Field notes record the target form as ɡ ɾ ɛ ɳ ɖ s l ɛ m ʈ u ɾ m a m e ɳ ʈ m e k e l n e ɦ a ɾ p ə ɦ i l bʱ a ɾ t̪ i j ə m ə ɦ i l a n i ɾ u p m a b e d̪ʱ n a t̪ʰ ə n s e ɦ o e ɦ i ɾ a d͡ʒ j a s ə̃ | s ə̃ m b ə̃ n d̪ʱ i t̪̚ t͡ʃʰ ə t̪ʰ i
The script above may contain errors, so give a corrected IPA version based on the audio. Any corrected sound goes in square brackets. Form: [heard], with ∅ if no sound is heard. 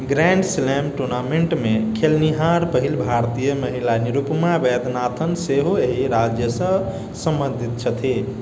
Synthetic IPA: ɡ ɾ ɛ ɳ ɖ s l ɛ m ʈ u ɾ [n] a m e ɳ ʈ m e [kʰ] e l n [i] ɦ a ɾ p ə ɦ i l bʱ a ɾ t̪ i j ə m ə ɦ i l a n i ɾ u p m a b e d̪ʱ n a t̪ʰ ə n s e ɦ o e ɦ i ɾ a d͡ʒ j [ə] s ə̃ | s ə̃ m b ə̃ n d̪ʱ i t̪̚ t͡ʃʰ ə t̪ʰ i